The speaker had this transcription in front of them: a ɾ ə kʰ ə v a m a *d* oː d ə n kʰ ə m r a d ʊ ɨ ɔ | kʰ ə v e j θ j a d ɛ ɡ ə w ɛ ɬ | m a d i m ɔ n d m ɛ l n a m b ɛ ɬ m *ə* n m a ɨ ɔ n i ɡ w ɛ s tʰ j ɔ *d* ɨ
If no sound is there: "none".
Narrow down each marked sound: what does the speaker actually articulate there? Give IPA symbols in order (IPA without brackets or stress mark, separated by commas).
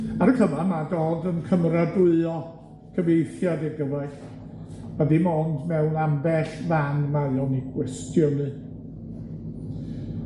d, a, n